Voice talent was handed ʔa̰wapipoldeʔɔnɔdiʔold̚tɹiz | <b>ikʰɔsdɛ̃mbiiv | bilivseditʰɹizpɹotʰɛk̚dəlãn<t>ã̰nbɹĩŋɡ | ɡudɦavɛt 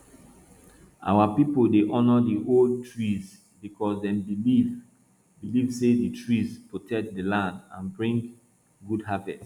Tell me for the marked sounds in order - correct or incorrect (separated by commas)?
correct, incorrect